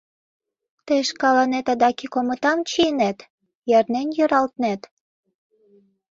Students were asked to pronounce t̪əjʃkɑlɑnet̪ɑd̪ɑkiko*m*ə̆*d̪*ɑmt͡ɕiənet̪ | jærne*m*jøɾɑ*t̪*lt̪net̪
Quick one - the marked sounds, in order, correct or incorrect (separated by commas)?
correct, incorrect, incorrect, incorrect